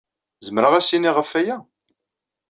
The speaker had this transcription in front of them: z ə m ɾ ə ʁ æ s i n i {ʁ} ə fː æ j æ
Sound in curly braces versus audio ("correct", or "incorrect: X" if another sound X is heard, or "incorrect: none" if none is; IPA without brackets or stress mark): correct